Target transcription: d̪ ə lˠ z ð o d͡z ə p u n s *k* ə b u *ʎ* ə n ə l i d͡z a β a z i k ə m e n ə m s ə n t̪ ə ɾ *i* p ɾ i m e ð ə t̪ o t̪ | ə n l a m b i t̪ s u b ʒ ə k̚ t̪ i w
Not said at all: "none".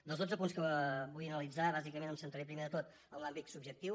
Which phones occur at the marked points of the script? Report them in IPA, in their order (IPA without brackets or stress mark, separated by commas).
k, j, e